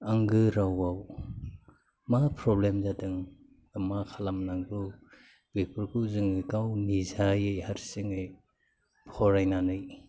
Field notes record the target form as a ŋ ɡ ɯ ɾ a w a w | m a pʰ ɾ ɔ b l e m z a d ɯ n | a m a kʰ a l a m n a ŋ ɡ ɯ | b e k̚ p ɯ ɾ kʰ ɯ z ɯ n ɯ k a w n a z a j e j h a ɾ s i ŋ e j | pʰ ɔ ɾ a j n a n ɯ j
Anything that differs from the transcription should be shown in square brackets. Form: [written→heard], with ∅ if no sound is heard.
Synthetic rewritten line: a ŋ ɡ ɯ ɾ a w a w | m a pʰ ɾ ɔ b l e m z a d ɯ [n→ŋ] | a m a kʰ a l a m n a ŋ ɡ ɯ | b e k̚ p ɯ ɾ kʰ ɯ z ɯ [n→ŋ] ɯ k a w n [a→i] z a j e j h a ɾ s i ŋ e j | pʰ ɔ ɾ a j n a n ɯ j

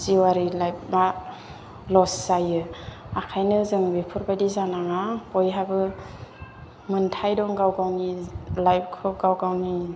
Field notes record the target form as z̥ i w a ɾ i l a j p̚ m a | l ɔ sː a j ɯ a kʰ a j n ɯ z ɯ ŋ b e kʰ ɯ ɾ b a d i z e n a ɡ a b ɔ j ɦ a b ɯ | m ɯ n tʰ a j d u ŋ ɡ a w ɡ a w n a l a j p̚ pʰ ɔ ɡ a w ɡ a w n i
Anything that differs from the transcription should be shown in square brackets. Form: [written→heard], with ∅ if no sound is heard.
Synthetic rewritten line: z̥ i w a ɾ i l a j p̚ m a | l ɔ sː a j ɯ a kʰ a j n ɯ z ɯ ŋ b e [kʰ→pʰ] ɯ ɾ b a d i z [e→a] n a [ɡ→ŋ] a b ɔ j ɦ a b ɯ | m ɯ n tʰ a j d [u→ɔ] ŋ ɡ a w ɡ a w n [a→i] l a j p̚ [pʰ→kʰ] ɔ ɡ a w ɡ a w n i

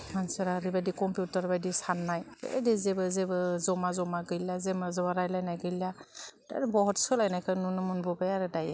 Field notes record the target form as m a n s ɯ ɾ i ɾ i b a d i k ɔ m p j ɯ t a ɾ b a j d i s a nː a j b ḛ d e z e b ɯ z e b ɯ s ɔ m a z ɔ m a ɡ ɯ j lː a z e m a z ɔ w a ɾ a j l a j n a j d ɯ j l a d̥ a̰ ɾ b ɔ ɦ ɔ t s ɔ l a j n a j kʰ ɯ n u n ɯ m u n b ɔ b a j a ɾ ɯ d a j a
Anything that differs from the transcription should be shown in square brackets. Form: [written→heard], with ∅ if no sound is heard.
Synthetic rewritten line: m a n s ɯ ɾ [i→a] ɾ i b a d i k ɔ m p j [ɯ→u] t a ɾ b a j d i s a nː a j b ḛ d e z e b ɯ z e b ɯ [s→z] ɔ m a z ɔ m a ɡ ɯ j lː a z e m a z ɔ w a ɾ a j l a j n a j [d→ɡ] ɯ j l a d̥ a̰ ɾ b ɔ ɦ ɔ t s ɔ l a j n a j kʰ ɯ n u n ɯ m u n b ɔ b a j a ɾ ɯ d a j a

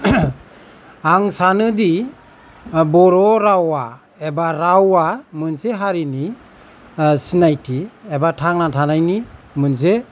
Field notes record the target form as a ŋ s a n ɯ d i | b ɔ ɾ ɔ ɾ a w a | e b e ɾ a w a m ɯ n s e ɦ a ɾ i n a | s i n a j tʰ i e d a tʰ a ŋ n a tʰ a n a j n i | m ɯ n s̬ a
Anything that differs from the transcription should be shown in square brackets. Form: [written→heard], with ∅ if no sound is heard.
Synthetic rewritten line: a ŋ s a n ɯ d i | b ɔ ɾ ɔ ɾ a w a | e b [e→a] ɾ a w a m ɯ n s e ɦ a ɾ i n [a→i] | s i n a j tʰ i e [d→b] a tʰ a ŋ n a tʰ a n a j n i | m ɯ n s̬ [a→e]

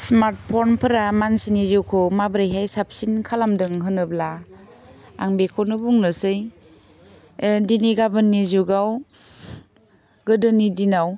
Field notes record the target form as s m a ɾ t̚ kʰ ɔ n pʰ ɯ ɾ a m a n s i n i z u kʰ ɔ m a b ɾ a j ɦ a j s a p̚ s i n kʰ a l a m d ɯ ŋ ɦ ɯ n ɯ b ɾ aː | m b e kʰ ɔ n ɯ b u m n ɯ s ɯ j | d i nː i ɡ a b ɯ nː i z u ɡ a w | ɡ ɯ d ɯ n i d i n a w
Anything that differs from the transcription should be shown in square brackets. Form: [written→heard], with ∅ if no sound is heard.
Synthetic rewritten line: s m a ɾ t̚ [kʰ→pʰ] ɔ n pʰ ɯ ɾ a m a n s i n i z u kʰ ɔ m a b ɾ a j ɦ a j s a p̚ s i n kʰ a l a m d ɯ ŋ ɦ ɯ n ɯ b [ɾ→l] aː | [m→ŋ] b e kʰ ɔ n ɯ b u [m→ŋ] n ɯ s ɯ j | d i [nː→n] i ɡ a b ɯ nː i z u ɡ a w | ɡ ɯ d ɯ n i d i n a w

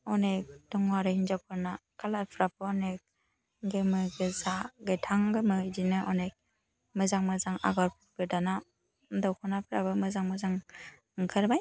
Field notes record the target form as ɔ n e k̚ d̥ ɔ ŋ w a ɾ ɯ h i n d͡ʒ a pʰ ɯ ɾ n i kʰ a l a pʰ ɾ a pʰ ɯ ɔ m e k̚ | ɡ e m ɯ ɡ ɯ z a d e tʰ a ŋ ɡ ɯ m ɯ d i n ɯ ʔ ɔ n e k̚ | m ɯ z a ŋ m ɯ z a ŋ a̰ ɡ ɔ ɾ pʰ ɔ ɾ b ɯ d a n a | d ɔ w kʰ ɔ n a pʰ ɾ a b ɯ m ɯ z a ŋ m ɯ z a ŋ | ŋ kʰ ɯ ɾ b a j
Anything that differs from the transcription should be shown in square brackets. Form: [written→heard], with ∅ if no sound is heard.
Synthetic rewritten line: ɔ n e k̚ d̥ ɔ ŋ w a ɾ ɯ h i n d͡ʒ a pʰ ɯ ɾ n [i→a] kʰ a l a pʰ ɾ a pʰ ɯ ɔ [m→n] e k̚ | ɡ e m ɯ ɡ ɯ z a [d→ɡ] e tʰ a ŋ ɡ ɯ m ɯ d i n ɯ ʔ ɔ n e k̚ | m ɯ z a ŋ m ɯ z a ŋ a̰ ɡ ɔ ɾ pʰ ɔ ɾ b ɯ d a n a | d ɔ w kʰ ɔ n a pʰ ɾ a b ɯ m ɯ z a ŋ m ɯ z a ŋ | ŋ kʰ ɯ ɾ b a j

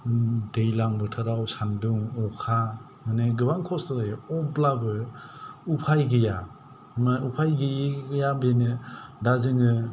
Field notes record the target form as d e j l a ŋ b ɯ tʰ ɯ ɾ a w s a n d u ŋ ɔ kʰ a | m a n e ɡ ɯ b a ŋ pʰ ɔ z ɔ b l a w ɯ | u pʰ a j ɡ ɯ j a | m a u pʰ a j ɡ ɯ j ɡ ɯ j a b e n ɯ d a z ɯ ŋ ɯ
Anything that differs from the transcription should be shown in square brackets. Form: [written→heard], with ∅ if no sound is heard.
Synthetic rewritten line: d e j l a ŋ b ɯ tʰ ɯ ɾ a w s a n d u ŋ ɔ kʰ a | m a n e ɡ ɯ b a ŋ [pʰ→kʰ] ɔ [z→s] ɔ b l a [w→b] ɯ | u pʰ a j ɡ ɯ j a | m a u pʰ a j ɡ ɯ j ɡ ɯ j a b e n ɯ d a z ɯ ŋ ɯ

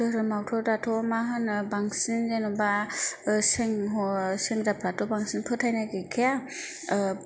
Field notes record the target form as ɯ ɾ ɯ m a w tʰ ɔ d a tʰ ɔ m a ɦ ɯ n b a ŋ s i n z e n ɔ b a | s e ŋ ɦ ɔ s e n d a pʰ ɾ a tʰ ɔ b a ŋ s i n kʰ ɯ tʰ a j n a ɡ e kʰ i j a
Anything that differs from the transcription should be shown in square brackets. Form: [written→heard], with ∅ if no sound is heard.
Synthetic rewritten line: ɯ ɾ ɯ m a w tʰ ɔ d a tʰ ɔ m a ɦ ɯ n b a ŋ s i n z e n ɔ b a | s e ŋ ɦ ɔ s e [n→ŋ] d a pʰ ɾ a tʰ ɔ b a ŋ s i n [kʰ→pʰ] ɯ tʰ a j n a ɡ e kʰ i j a

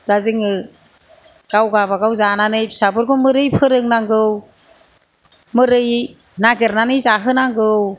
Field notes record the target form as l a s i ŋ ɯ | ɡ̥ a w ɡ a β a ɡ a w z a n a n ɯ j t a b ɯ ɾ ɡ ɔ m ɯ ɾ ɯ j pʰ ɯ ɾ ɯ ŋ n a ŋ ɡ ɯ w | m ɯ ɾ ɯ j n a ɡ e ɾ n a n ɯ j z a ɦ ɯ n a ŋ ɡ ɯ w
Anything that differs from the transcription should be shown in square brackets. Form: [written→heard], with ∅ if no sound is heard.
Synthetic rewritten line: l a [s→z] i ŋ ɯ | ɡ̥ a w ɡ a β a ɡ a w z a n a n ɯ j [t→s] a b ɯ ɾ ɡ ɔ m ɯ ɾ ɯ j pʰ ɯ ɾ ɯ ŋ n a ŋ ɡ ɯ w | m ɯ ɾ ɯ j n a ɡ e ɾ n a n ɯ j z a ɦ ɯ n a ŋ ɡ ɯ w

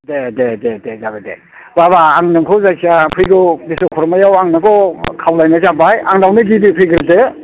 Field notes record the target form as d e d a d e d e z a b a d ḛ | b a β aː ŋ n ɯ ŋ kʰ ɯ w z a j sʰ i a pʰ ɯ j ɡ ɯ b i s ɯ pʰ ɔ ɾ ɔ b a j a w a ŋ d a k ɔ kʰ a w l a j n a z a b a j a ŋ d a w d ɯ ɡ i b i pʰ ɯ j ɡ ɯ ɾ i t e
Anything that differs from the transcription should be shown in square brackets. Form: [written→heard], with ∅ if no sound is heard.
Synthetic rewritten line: d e d [a→e] d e d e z a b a d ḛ | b a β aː ŋ n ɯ ŋ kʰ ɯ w z a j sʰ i a pʰ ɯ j ɡ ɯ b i s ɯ [pʰ→kʰ] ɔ ɾ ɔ [b→m] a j a w a ŋ [d→n] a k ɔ kʰ a w l a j n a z a b a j a ŋ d a w [d→n] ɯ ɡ i b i pʰ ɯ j ɡ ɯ ɾ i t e

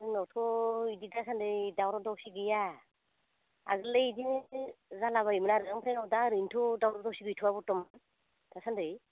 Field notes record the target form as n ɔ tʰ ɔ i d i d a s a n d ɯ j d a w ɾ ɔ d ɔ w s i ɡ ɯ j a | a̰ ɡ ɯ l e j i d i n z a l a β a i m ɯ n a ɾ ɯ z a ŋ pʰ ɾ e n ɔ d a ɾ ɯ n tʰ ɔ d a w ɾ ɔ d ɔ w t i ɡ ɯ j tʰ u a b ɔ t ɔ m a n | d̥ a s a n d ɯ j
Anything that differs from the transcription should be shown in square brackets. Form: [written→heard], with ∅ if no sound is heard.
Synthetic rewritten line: n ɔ tʰ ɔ i d i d a s a n d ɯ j d a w ɾ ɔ d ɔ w s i ɡ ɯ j a | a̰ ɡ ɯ l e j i d i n z a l a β a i m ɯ n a ɾ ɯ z a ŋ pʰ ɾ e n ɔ d a ɾ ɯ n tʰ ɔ d a w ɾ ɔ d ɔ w [t→s] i ɡ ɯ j tʰ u a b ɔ t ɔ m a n | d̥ a s a n d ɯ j

